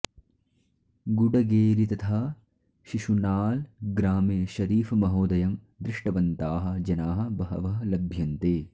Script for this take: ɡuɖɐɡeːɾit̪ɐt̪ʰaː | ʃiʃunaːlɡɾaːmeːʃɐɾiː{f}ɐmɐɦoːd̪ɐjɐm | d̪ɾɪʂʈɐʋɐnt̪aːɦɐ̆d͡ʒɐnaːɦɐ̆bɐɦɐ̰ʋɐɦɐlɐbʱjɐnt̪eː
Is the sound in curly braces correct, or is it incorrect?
correct